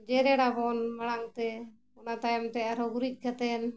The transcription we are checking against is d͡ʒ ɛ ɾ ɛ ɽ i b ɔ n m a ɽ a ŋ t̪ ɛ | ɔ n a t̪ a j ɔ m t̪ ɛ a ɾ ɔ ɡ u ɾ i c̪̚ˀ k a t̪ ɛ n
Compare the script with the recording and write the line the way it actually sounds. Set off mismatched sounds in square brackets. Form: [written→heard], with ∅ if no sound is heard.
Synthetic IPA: d͡ʒ ɛ ɾ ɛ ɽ [i→a] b ɔ n m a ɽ a ŋ t̪ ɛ | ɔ n a t̪ a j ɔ m t̪ ɛ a ɾ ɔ ɡ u ɾ i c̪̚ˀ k a t̪ ɛ n